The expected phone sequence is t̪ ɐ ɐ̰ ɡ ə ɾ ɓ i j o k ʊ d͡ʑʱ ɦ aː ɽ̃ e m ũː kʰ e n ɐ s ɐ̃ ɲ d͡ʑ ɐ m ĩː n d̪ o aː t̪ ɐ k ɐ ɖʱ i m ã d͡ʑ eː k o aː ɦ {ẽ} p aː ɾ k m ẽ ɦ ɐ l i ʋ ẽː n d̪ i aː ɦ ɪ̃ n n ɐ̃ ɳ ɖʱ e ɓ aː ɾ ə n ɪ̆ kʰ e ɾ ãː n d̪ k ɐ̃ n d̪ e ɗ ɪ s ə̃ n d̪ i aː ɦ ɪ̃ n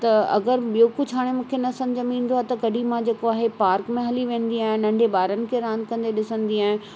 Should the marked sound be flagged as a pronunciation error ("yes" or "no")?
yes